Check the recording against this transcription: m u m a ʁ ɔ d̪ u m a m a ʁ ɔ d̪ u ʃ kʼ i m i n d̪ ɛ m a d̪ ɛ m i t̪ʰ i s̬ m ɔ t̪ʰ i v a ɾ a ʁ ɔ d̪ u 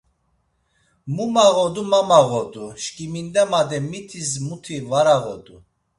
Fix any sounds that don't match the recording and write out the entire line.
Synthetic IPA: m u m a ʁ ɔ d̪ u m a m a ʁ ɔ d̪ u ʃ kʼ i m i n d̪ ɛ m a d̪ ɛ m i t̪ʰ i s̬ m u t̪ʰ i v a ɾ a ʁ ɔ d̪ u